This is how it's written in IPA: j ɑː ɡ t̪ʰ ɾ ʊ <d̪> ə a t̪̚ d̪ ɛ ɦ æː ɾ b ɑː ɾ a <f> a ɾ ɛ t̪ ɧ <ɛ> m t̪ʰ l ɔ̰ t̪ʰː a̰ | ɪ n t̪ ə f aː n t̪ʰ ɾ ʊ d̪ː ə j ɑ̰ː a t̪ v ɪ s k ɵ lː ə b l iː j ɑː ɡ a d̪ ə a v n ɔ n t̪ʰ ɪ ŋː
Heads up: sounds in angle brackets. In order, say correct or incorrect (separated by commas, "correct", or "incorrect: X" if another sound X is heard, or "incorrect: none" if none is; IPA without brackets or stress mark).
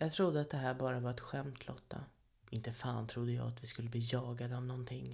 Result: incorrect: d̪ː, incorrect: v, correct